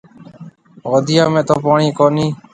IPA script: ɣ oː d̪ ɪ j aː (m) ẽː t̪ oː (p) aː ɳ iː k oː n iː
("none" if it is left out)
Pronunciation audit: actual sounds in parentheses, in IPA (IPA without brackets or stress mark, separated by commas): m, p